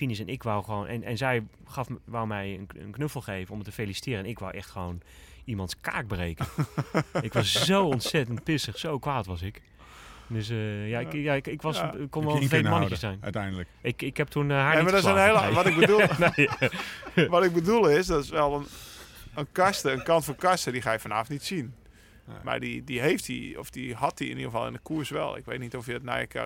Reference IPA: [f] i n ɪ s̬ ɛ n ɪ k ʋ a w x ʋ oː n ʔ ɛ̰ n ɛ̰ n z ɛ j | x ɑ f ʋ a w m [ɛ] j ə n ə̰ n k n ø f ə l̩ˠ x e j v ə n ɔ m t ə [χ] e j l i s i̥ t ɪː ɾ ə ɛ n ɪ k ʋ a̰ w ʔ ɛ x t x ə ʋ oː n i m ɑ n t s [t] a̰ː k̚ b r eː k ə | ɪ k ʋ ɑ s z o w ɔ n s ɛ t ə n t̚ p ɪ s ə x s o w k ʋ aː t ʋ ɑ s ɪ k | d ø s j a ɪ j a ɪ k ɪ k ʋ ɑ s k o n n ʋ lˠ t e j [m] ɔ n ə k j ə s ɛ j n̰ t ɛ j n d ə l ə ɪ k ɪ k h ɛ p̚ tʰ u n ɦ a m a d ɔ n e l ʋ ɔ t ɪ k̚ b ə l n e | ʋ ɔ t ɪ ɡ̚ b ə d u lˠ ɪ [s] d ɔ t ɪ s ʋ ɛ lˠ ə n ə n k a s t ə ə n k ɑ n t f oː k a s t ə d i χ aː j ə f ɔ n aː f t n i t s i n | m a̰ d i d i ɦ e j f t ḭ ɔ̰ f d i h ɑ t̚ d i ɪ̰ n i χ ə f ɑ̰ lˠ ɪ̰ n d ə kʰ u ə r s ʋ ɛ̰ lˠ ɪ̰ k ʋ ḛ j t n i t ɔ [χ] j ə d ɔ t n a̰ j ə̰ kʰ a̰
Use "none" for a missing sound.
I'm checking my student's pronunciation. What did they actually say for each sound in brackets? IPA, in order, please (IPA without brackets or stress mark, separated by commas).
f, ɛ, f, k, m, s, f